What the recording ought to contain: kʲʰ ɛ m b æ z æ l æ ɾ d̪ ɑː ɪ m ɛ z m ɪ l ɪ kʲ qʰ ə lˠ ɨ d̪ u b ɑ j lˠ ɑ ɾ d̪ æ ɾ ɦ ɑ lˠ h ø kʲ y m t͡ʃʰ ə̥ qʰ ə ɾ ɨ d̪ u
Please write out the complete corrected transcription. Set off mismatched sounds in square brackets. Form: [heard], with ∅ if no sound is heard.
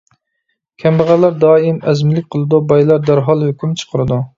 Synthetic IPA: kʲʰ ɛ m b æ [ʁ] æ l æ ɾ d̪ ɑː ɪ m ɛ z m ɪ l ɪ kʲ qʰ ə lˠ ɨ d̪ u b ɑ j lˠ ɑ ɾ d̪ æ ɾ ɦ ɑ lˠ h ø kʲ y m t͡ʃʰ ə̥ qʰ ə ɾ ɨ d̪ u